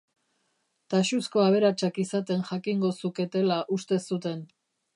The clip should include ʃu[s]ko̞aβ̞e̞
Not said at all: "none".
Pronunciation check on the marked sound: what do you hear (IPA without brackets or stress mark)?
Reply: s